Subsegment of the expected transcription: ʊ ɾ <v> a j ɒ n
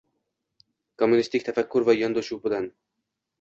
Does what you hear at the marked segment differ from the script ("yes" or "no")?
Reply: no